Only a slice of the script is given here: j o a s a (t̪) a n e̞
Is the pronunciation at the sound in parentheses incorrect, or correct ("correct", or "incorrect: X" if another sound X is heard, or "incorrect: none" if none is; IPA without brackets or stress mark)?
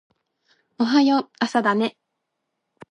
incorrect: d̪